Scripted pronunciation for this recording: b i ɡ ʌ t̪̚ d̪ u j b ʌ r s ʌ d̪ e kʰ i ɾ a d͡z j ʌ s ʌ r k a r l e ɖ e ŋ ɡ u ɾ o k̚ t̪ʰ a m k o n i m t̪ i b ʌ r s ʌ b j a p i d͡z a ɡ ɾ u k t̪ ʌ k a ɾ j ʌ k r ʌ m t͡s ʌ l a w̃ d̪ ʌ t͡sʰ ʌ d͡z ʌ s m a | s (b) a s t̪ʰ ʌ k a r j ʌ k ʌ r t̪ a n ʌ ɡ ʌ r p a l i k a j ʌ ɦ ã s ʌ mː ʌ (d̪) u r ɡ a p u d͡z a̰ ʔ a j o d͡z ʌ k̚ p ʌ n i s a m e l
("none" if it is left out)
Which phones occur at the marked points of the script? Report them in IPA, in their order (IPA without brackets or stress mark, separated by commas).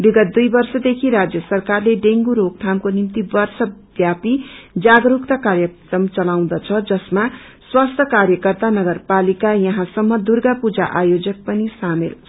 w, d̪